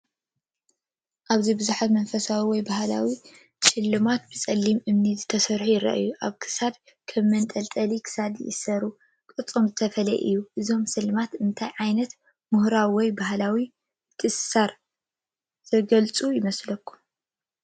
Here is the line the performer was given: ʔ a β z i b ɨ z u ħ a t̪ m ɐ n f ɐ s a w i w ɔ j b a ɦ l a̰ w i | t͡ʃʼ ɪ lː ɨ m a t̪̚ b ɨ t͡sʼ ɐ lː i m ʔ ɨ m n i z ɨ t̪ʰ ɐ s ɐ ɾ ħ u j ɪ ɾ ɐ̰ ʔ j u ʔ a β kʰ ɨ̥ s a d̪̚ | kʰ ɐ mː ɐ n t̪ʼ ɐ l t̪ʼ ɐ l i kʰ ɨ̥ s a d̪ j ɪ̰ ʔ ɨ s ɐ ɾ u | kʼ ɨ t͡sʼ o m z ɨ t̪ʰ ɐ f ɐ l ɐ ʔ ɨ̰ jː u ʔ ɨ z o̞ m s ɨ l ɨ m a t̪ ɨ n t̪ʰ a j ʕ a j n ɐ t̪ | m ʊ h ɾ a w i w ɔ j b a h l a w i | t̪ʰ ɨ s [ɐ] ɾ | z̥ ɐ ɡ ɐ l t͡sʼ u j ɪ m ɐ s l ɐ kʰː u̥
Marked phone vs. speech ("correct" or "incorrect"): incorrect